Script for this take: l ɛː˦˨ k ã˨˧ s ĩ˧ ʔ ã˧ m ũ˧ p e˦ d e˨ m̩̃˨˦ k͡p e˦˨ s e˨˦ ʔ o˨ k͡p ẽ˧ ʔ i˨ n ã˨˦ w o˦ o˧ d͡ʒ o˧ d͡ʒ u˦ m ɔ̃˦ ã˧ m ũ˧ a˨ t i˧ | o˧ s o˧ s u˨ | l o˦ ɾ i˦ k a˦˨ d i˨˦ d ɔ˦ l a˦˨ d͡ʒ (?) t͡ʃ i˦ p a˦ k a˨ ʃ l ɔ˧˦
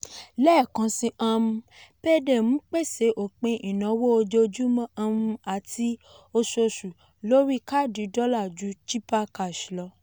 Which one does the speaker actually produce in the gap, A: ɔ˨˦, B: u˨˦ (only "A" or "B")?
B